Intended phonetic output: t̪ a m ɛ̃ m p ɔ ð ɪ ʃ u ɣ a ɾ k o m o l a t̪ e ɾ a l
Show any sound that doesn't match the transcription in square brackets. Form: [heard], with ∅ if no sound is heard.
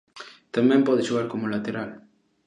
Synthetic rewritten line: t̪ a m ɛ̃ m p ɔ ð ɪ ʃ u ɣ a ɾ k o m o l a t̪ e ɾ a l